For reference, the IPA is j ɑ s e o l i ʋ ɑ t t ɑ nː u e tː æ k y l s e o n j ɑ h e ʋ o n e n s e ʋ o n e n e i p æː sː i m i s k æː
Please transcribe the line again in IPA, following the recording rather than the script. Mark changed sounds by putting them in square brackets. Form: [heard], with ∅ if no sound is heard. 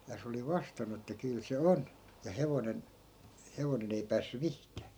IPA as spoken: j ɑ s e o l i ʋ ɑ [s] t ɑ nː u e tː æ k y l s e o n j ɑ h e ʋ o n e n [h] e ʋ o n e n e i p æː sː [y] m i [h] k æː